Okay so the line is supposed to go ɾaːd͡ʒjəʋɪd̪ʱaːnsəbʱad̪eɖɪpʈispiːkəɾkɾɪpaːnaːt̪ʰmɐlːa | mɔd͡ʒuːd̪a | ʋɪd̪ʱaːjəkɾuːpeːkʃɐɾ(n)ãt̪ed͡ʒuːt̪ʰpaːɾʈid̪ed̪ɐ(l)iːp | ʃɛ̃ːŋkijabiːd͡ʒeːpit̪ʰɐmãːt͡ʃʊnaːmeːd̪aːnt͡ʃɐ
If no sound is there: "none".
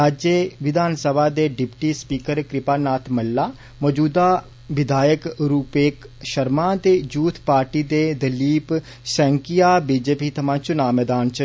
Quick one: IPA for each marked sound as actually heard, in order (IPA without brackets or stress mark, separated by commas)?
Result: m, l